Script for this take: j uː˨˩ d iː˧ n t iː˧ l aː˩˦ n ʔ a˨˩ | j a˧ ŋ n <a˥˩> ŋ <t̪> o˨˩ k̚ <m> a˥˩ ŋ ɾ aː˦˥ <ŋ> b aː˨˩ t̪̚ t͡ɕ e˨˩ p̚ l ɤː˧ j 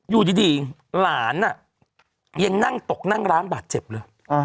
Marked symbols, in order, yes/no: yes, yes, no, no

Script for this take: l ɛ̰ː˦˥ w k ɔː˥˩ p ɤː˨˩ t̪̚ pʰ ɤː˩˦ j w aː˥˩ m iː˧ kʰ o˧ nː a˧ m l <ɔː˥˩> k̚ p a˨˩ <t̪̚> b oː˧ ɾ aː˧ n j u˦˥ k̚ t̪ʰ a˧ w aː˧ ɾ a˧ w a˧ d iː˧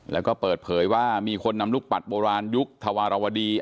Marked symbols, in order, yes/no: no, yes

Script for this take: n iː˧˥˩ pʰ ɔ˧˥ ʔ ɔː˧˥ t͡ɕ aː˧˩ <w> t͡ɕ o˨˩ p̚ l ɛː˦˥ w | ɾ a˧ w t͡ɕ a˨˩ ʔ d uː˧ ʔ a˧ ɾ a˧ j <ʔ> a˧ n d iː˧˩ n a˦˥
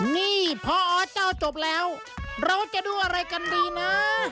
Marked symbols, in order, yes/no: yes, no

